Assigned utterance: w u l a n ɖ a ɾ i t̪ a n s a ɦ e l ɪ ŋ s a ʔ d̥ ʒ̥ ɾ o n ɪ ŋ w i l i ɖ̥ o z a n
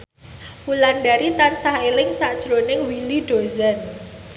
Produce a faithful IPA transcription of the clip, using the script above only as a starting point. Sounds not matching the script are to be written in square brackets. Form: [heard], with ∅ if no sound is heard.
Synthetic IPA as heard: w u l a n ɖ a ɾ i t̪ a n s a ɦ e l ɪ ŋ s a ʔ d̥ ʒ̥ ɾ o n ɪ ŋ w i l i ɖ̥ o z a n

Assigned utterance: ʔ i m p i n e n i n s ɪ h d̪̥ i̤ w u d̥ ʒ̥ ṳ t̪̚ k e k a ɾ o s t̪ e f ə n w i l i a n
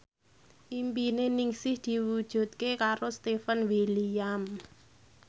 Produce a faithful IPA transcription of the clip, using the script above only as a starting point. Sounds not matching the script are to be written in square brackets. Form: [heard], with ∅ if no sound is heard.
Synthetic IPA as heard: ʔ i m p i n e n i [ŋ] s ɪ h d̪̥ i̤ w u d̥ ʒ̥ ṳ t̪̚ k e k a ɾ o s t̪ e f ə n w i l i a [m]

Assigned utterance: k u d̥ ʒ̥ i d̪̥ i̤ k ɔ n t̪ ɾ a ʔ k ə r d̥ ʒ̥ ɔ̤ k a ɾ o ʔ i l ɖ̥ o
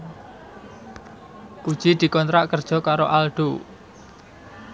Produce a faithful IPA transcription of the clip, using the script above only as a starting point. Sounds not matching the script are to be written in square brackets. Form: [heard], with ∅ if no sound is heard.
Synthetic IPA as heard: k u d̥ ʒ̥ i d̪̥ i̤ k ɔ n t̪ ɾ a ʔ k ə r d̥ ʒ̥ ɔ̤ k a ɾ o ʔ [a] l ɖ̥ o

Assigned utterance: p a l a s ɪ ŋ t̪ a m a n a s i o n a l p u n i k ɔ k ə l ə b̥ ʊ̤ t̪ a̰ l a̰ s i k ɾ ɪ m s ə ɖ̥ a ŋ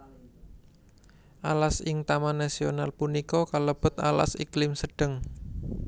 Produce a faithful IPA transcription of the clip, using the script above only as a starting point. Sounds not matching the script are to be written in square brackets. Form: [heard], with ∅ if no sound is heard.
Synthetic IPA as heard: [ʔ] a l a s ɪ ŋ t̪ a m a n a s i o n a l p u n i k ɔ k [a] l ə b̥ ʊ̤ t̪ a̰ l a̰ s i k [l] ɪ m s ə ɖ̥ [ə] ŋ

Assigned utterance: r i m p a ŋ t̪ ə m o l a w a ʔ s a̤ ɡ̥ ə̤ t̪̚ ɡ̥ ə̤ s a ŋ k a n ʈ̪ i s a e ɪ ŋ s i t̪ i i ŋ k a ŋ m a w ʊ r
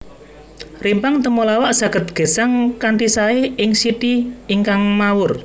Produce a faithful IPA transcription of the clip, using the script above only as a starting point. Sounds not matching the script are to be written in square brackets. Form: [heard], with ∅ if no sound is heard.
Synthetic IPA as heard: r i m p a ŋ t̪ ə m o l a w a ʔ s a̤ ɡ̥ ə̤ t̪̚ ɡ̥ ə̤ s a ŋ k a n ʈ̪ i s a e ɪ ŋ s i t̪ i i ŋ k a ŋ m a w ʊ r

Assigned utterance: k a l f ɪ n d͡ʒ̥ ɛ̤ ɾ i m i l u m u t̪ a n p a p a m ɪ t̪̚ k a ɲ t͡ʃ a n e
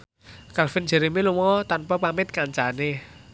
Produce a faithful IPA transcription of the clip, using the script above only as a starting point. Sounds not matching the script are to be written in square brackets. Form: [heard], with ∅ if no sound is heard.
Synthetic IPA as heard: k a l f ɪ n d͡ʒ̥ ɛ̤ ɾ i m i l u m [ɔ] t̪ a n p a p a m ɪ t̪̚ k a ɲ t͡ʃ a n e

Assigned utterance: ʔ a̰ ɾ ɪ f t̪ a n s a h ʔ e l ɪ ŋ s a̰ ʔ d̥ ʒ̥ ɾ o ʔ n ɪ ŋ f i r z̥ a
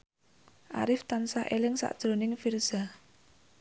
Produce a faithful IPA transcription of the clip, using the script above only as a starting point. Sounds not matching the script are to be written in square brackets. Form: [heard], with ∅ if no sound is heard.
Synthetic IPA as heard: ʔ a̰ ɾ ɪ f t̪ a n s a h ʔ e l ɪ ŋ s a̰ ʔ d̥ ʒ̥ ɾ o [∅] n ɪ ŋ f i r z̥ a

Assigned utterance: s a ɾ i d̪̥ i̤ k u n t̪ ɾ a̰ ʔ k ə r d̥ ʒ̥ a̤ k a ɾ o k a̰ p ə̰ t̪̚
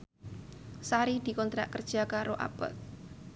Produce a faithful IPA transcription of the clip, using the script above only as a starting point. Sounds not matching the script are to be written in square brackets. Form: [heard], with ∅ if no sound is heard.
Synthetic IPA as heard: s a ɾ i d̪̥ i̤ k [ɔ] n t̪ ɾ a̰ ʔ k ə r d̥ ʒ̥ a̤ k a ɾ o [ʔ] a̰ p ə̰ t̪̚

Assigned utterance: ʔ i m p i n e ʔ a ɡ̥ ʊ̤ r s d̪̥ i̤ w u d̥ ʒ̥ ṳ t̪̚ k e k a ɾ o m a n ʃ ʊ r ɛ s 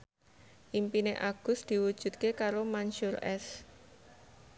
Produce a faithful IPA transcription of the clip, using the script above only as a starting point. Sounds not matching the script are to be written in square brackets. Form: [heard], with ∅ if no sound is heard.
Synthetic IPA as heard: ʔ i m p i n e ʔ a ɡ̥ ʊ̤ [∅] s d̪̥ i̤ w u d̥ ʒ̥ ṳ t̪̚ k e k a ɾ o m a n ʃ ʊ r ɛ s

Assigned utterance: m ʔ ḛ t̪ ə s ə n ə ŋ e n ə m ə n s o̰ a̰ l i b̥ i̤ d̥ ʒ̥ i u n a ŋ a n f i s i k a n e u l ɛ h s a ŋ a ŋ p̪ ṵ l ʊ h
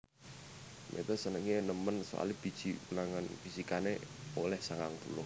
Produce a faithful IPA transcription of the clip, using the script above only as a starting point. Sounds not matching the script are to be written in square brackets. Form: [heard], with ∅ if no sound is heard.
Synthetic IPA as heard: m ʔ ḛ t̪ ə s ə n ə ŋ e n ə m ə n s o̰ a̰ l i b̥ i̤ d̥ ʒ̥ i u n a ŋ a n f i s i k a n e [o] l ɛ h s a ŋ a ŋ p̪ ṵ l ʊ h

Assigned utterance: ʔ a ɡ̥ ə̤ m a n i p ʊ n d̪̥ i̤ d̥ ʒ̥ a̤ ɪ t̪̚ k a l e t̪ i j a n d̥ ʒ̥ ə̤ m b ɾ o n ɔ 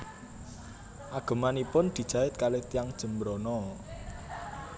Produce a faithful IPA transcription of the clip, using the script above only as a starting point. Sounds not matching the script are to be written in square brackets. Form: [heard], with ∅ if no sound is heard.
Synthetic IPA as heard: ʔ a ɡ̥ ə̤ m a n i p ʊ n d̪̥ i̤ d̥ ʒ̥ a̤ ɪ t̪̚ k a l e t̪ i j a [ŋ] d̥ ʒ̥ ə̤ m b ɾ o n ɔ

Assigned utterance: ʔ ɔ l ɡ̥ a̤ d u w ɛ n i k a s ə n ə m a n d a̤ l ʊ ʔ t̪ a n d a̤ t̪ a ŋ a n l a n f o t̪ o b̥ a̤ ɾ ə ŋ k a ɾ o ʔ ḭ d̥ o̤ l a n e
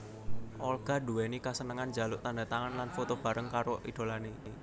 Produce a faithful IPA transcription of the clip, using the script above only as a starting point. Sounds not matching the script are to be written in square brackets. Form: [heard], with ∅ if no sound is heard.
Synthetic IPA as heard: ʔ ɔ l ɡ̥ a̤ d u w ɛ n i k a s ə n ə [ŋ] a n [d͡ʒ] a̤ l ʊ ʔ t̪ a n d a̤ t̪ a ŋ a n l a n f o t̪ o b̥ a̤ ɾ ə ŋ k a ɾ o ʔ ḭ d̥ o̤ l a n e

